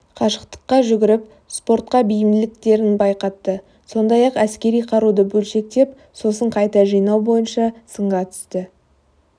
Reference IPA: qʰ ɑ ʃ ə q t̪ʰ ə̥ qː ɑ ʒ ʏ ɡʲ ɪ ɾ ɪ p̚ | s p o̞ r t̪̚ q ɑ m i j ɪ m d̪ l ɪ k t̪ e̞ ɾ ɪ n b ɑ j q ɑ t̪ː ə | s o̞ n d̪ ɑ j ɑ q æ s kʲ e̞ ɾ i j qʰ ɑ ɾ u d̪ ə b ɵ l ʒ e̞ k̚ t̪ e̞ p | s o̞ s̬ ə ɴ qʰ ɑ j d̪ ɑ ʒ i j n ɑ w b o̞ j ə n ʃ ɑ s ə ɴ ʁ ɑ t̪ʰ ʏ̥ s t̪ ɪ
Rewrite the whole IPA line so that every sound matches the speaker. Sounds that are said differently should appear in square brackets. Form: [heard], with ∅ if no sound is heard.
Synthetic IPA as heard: qʰ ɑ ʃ ə q [t̪] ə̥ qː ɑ ʒ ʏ ɡʲ ɪ ɾ ɪ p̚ | s p o̞ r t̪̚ q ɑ [b] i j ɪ m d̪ l ɪ k t̪ e̞ ɾ ɪ n b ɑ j q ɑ t̪ː ə | s o̞ n d̪ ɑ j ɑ q æ s kʲ e̞ ɾ i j qʰ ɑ ɾ u d̪ ə b ɵ l [ʃ] e̞ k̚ t̪ e̞ p | s o̞ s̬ ə ɴ qʰ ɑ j [t̪] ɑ ʒ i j n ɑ w b o̞ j ə n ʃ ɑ s ə ɴ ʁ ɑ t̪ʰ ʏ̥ s t̪ ɪ

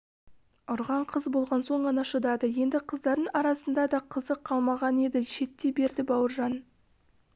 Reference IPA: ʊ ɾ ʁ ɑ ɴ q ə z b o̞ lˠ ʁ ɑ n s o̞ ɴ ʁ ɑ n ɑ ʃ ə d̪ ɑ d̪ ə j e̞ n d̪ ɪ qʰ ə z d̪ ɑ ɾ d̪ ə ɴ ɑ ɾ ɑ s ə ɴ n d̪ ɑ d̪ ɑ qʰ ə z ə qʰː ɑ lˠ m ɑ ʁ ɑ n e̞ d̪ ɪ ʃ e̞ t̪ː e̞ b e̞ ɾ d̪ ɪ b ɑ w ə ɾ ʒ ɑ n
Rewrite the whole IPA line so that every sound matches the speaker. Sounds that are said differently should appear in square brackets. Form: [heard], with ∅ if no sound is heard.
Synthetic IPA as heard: ʊ ɾ ʁ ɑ ɴ [qʰ] ə z b o̞ lˠ ʁ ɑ n s o̞ ɴ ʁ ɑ n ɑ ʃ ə d̪ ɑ d̪ ə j e̞ n d̪ ɪ qʰ ə z d̪ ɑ ɾ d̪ ə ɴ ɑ ɾ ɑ s ə [∅] n d̪ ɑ d̪ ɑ qʰ ə z ə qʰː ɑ lˠ m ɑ ʁ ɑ n e̞ d̪ ɪ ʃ e̞ t̪ː e̞ b e̞ ɾ d̪ ɪ b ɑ w ə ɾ ʒ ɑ n

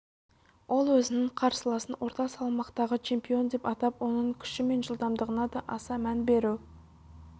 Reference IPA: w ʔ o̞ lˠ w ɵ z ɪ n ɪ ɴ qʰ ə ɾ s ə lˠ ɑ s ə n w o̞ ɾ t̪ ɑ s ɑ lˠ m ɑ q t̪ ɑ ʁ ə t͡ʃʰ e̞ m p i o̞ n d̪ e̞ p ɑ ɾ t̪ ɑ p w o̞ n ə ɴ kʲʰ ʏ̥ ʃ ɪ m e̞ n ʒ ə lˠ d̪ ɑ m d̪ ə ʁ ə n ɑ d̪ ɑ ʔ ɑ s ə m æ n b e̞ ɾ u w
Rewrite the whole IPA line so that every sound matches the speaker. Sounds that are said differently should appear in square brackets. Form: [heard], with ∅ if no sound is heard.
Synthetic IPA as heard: w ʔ o̞ lˠ w ɵ z ɪ n ɪ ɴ qʰ [ɑ] ɾ s ə lˠ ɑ s ə n w o̞ ɾ t̪ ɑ s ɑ lˠ m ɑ q t̪ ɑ ʁ ə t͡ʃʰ e̞ m p i o̞ n d̪ e̞ p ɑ [∅] t̪ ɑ p w o̞ n ə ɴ kʲʰ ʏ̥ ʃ ɪ m e̞ n ʒ ə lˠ d̪ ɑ m d̪ ə ʁ ə n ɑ d̪ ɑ ʔ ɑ s [ɑ] m æ n b e̞ ɾ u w

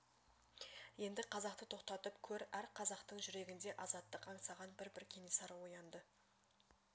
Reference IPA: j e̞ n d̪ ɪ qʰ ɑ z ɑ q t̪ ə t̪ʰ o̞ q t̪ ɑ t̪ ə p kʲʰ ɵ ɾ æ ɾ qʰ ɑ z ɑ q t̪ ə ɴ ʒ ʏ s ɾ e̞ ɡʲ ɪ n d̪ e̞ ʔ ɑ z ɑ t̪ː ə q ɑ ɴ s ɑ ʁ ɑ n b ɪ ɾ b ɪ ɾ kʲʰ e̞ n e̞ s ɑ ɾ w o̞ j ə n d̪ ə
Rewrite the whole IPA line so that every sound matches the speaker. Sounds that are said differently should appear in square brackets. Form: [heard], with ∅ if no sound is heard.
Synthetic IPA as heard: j e̞ n d̪ ɪ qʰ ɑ z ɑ q t̪ ə t̪ʰ o̞ q t̪ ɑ t̪ ə p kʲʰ ɵ ɾ æ ɾ qʰ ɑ z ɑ q t̪ ə ɴ ʒ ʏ [∅] ɾ e̞ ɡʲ ɪ n d̪ e̞ ʔ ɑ z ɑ t̪ː ə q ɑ ɴ s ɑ ʁ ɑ n b ɪ ɾ b ɪ ɾ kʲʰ e̞ n e̞ s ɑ ɾ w o̞ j [ɑ] n d̪ ə

